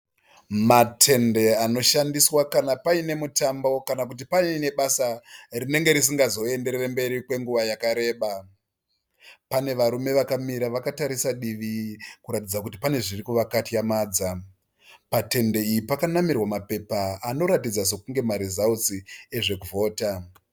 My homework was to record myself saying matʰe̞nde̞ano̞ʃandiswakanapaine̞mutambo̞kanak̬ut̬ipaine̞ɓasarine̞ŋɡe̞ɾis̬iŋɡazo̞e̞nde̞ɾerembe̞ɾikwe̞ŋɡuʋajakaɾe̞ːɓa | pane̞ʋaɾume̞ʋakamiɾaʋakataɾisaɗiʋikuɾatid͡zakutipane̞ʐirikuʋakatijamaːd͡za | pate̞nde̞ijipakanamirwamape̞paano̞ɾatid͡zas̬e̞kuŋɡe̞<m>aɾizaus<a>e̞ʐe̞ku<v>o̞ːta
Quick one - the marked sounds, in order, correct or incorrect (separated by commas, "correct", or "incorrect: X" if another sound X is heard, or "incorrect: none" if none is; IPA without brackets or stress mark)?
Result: correct, incorrect: i, correct